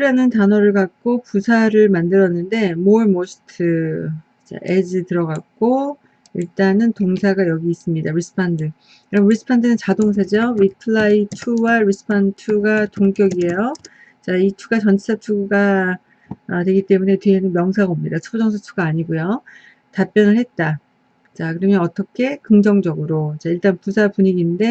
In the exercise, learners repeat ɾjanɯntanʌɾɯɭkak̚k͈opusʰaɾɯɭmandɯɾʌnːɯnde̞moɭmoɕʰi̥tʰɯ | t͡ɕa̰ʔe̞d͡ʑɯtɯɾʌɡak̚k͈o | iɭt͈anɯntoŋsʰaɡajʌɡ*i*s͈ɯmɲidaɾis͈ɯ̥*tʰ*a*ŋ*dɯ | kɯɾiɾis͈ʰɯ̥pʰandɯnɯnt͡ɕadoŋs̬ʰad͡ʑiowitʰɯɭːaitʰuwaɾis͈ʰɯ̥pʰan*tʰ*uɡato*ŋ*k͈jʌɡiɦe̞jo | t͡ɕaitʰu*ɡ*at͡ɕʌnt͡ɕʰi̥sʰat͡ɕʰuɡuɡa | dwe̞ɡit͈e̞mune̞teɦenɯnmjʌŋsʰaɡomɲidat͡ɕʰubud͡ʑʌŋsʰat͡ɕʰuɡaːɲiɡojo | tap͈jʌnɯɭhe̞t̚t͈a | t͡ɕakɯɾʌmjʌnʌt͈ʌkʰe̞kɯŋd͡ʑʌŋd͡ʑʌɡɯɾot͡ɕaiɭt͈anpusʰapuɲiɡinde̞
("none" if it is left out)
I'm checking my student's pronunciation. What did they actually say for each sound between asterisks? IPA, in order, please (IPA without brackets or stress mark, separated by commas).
iː, pʰ, n, tʰ, ŋ, ɡ